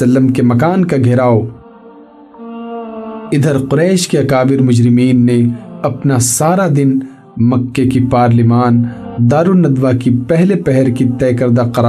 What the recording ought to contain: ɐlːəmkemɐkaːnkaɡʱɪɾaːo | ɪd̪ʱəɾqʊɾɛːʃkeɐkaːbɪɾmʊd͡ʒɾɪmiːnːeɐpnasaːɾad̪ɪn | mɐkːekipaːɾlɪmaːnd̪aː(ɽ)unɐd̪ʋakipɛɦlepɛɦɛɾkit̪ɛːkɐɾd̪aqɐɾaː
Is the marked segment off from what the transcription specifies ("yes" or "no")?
yes